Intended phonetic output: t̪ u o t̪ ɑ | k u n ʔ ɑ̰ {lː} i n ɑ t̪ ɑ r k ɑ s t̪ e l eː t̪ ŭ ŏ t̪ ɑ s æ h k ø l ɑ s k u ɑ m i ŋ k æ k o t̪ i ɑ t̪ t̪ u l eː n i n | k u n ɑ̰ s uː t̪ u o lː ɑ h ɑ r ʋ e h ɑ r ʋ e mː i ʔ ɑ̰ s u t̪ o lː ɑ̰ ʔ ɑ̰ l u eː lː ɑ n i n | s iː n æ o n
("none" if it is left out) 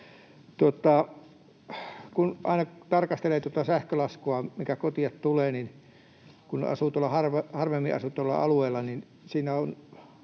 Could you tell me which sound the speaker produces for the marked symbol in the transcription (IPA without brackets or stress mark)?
none